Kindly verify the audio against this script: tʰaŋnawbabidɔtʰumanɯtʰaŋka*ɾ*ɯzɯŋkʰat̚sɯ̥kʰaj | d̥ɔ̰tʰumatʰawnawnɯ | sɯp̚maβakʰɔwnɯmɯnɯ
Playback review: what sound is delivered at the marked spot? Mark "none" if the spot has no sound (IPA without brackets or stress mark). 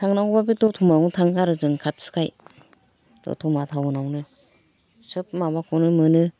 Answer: ɾ